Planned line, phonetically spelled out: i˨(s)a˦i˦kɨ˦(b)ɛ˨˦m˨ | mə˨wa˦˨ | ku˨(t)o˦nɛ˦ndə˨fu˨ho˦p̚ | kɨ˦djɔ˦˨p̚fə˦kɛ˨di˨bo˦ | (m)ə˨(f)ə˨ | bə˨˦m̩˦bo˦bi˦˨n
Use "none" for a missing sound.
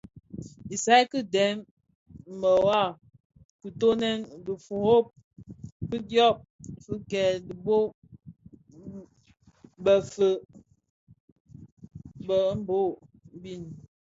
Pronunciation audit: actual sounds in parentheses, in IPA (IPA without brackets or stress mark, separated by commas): s, d, t, b, f